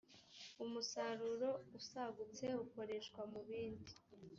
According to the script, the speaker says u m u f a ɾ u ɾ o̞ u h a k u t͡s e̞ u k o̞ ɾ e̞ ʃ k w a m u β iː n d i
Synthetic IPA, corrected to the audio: u m u s a ɾ u ɾ o̞ u s a ɡ u t͡s e̞ u k o̞ ɾ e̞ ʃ k w a m u β iː n d i